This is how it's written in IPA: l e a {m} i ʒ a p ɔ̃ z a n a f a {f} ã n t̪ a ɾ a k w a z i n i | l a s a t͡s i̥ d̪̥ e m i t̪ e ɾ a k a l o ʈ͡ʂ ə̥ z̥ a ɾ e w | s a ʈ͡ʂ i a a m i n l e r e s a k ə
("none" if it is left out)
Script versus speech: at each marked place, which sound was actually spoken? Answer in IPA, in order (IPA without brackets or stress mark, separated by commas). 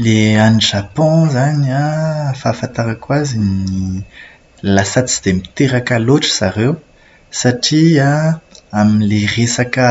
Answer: n, f